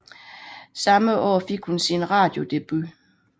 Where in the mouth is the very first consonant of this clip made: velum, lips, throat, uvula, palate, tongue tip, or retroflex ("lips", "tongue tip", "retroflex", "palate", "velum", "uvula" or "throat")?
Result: tongue tip